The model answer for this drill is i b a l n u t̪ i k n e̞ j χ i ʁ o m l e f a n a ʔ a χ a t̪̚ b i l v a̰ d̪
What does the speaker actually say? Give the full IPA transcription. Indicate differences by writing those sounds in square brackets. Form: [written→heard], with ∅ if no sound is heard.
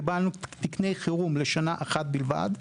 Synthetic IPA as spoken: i b a l n u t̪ i k n e̞ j χ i ʁ [o→u] m l e [f→ʃ] a n a ʔ a χ a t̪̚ b i l v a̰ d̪